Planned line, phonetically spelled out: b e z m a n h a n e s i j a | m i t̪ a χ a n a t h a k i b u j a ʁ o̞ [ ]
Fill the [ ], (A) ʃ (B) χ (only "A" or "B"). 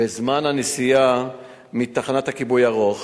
B